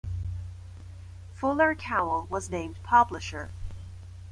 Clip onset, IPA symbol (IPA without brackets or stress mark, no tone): f